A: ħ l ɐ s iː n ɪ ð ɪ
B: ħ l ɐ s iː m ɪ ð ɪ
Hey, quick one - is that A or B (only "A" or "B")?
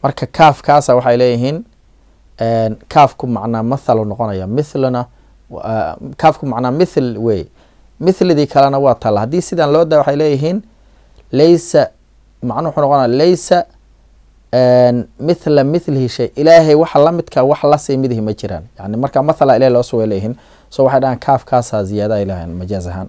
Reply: B